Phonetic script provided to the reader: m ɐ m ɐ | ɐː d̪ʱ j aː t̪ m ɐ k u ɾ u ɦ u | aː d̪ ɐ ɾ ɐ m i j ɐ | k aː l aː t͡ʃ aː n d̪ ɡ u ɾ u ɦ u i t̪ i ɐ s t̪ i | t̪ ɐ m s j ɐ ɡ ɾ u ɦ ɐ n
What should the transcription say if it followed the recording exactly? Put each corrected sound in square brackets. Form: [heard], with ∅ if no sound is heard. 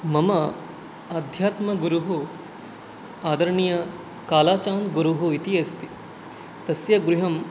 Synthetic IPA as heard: m ɐ m ɐ | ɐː d̪ʱ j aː t̪ m ɐ [ɡ] u ɾ u ɦ u | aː d̪ ɐ ɾ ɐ [ɳ] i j ɐ | k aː l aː t͡ʃ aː n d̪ ɡ u ɾ u ɦ u i t̪ i ɐ s t̪ i | t̪ ɐ [∅] s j ɐ ɡ ɾ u ɦ ɐ [m]